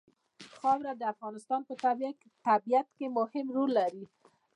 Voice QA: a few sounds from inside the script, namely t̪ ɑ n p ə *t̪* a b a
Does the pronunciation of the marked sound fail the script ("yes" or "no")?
no